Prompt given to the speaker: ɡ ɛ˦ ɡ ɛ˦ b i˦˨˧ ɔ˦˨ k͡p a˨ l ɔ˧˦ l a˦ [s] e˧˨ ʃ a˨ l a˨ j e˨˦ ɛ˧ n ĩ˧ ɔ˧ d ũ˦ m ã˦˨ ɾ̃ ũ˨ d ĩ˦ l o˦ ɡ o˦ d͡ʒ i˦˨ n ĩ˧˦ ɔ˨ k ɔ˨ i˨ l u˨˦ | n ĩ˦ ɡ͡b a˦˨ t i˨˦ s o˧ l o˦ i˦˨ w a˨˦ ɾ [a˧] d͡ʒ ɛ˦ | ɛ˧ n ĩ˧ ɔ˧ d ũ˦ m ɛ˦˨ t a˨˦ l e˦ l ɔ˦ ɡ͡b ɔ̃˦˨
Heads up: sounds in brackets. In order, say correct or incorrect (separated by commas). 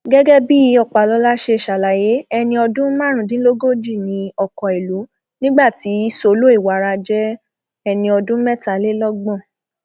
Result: incorrect, correct